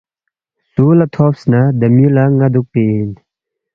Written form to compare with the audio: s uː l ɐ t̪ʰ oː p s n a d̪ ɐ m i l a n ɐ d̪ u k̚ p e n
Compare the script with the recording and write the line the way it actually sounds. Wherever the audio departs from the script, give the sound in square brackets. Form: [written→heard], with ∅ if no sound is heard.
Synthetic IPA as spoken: s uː l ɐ t̪ʰ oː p s n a d̪ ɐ m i l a [n→ŋ] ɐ d̪ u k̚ p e n

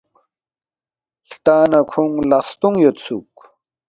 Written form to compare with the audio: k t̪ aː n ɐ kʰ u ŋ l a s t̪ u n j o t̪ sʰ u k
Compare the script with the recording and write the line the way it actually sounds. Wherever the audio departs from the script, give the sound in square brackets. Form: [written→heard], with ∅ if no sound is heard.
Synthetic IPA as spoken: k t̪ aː n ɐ kʰ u ŋ l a s t̪ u [n→ŋ] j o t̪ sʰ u k

